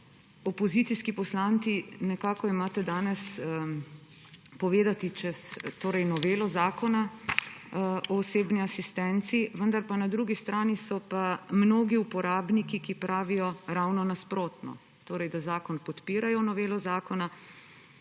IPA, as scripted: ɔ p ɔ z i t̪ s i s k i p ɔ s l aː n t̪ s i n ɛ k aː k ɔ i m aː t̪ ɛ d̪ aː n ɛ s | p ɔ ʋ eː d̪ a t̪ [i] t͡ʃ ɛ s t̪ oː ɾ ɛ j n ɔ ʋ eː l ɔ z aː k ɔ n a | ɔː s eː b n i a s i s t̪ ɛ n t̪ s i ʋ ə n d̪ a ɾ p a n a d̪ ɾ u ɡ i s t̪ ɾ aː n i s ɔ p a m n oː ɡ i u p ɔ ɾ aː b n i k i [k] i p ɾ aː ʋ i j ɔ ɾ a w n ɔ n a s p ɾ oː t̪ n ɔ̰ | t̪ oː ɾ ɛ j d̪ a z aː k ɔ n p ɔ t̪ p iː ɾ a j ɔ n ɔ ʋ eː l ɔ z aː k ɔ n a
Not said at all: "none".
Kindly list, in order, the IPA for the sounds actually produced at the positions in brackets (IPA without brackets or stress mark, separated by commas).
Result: i, k